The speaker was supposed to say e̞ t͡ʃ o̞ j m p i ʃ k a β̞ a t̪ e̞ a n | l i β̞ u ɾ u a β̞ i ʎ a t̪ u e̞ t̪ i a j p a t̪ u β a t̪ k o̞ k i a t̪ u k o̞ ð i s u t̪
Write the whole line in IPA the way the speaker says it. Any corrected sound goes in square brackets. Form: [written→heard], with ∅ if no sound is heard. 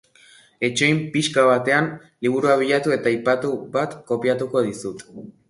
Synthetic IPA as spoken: e̞ t͡ʃ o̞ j m p i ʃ k a β̞ a t̪ e̞ a n | l i β̞ u ɾ u a β̞ i ʎ a t̪ u e̞ t̪ [i→a] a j p a t̪ u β a t̪ k o̞ [k→p] i a t̪ u k o̞ ð i s u t̪